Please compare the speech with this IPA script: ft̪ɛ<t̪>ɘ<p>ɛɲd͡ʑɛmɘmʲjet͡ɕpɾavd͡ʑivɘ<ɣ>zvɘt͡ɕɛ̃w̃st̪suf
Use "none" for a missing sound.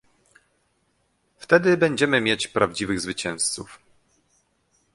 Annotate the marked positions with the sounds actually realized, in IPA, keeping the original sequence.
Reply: d̪, b, ɣ

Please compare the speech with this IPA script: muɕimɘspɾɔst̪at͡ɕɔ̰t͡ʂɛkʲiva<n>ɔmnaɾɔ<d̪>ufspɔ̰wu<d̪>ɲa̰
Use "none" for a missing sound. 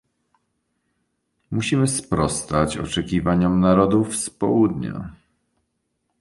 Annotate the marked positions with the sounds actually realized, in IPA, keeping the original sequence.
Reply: ɲ, d̪, d̪

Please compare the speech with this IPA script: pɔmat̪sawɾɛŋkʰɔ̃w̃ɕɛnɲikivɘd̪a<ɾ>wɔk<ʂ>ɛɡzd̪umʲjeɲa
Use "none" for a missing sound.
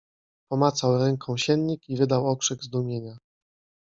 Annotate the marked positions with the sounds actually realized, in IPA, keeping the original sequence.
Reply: none, ʂ

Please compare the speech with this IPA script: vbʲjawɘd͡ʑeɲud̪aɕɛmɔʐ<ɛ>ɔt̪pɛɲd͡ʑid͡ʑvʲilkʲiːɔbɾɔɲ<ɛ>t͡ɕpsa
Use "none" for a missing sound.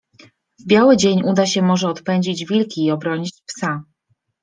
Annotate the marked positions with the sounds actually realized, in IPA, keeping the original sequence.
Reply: ɛ, i

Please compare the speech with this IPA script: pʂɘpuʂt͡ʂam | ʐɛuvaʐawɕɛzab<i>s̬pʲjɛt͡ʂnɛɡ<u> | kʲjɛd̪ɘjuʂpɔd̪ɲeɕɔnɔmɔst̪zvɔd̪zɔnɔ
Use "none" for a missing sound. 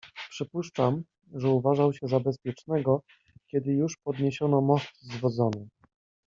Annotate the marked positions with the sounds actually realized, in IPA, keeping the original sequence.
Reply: ɛ, ɔ

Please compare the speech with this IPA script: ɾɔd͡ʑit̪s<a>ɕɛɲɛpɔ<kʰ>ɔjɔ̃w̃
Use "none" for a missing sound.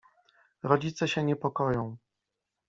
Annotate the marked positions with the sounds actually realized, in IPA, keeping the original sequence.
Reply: ɛ, k

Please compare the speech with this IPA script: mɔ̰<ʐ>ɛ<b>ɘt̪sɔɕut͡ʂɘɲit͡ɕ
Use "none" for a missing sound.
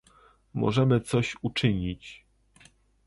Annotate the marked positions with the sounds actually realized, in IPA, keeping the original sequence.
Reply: ʐ, m

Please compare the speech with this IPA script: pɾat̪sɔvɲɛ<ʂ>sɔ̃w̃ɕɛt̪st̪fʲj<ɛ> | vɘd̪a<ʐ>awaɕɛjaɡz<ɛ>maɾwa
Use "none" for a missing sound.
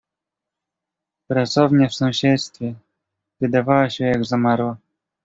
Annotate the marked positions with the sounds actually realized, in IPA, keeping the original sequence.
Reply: f, ɛ, v, a

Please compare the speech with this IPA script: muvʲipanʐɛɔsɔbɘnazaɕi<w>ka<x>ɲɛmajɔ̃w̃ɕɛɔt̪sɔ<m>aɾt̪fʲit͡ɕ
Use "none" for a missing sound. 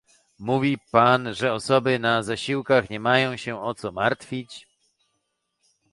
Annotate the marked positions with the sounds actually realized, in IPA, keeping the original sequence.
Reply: w, x, m

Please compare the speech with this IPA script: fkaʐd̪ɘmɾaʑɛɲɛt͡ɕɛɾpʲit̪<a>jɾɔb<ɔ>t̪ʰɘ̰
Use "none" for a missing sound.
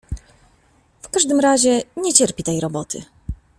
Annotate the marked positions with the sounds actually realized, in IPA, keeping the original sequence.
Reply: ɛ, ɔ

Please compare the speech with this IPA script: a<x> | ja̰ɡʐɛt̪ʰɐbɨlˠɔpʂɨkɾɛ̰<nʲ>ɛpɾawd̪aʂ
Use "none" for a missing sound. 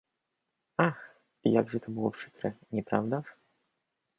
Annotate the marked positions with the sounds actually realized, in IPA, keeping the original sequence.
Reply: x, nʲ

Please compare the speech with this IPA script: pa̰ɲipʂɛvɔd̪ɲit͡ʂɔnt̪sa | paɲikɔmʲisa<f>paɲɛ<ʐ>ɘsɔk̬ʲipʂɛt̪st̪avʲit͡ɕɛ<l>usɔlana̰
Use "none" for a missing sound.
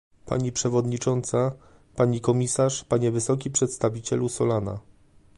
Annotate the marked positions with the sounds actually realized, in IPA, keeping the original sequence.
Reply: ʂ, v, l

